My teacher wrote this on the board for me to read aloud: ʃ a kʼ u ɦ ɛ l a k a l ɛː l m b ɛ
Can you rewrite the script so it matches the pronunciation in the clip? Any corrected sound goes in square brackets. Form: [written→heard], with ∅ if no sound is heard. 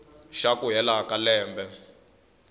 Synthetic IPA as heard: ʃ a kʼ u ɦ ɛ l a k a l ɛː [l→∅] m b ɛ